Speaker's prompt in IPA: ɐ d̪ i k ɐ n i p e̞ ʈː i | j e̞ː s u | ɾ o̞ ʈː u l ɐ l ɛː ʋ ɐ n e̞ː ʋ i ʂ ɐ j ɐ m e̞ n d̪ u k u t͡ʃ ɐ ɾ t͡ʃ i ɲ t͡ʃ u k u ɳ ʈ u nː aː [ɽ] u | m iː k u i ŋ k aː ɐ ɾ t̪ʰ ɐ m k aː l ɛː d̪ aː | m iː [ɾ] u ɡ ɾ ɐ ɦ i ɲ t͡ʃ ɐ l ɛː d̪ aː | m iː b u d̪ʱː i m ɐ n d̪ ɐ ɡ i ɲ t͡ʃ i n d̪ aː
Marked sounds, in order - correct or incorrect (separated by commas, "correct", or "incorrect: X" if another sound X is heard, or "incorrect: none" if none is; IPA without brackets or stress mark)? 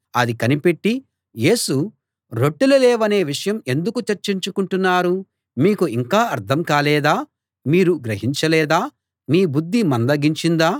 incorrect: ɾ, correct